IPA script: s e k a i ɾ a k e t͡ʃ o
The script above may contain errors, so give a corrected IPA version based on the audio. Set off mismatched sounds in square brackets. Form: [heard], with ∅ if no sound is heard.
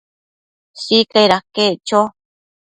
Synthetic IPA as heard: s [i] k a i ɾ a k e t͡ʃ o